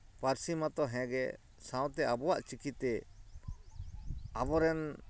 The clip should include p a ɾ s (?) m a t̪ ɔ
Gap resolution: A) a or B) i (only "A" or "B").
B